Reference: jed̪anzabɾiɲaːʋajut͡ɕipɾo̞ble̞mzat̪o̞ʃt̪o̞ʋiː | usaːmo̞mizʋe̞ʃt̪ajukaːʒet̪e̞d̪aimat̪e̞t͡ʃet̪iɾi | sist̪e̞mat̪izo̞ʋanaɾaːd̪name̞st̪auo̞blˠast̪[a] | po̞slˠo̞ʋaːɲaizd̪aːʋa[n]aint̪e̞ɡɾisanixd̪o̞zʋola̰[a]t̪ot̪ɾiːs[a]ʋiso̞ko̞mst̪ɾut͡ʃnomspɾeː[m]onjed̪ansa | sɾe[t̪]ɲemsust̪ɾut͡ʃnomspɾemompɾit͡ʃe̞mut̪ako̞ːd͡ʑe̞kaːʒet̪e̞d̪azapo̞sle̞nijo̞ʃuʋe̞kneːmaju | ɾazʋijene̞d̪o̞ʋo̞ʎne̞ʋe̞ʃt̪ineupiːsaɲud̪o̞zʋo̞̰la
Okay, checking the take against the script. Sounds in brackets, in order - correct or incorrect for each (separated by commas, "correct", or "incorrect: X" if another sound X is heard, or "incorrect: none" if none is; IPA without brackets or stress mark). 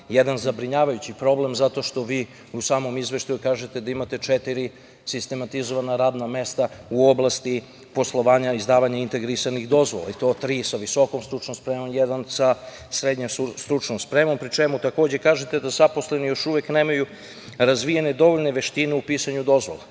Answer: incorrect: i, incorrect: ɲ, incorrect: i, correct, correct, incorrect: d̪